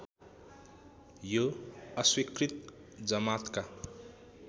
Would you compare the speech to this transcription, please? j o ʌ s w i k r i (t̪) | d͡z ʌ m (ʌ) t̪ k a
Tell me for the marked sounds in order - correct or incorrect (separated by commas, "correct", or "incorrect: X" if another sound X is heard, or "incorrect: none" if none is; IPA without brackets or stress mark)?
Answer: correct, incorrect: a